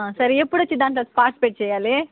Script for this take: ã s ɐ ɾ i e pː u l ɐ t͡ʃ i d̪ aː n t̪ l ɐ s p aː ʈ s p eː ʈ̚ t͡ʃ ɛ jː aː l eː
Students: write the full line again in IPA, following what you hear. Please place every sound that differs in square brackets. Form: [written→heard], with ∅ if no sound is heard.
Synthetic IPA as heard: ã s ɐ ɾ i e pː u [l→ɽ] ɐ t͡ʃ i d̪ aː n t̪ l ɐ s p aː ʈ s p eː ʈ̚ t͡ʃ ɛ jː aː l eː

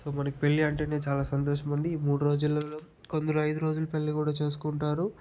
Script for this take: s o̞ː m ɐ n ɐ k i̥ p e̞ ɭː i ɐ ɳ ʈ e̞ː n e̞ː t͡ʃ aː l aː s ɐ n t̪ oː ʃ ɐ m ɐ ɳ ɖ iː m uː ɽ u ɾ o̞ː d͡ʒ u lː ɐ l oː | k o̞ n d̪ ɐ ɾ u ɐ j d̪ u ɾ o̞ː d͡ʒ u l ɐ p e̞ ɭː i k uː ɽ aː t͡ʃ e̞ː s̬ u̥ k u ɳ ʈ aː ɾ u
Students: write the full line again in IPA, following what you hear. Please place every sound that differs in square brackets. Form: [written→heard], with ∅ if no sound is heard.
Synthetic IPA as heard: s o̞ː m ɐ n ɐ k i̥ p e̞ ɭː i ɐ ɳ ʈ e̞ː n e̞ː t͡ʃ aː l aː s ɐ n t̪ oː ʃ ɐ m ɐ ɳ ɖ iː m uː ɽ u ɾ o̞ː d͡ʒ u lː ɐ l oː | k o̞ n d̪ ɐ ɾ u ɐ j d̪ u ɾ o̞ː d͡ʒ u l ɐ p e̞ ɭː i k uː ɽ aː t͡ʃ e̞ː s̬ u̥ k u ɳ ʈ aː ɾ u

